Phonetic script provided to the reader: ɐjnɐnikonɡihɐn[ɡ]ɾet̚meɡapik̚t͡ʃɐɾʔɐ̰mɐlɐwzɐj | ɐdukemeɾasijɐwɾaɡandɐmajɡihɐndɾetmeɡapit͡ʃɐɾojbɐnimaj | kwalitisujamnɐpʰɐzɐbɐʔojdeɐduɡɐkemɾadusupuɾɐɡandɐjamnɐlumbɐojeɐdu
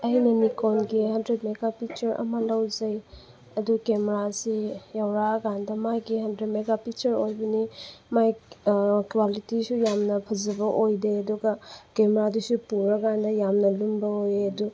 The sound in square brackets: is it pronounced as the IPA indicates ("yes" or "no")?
no